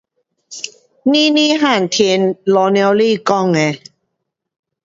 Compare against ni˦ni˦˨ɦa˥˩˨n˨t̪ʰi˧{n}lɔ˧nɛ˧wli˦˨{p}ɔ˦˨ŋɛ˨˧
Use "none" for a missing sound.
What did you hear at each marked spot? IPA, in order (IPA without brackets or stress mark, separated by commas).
n, k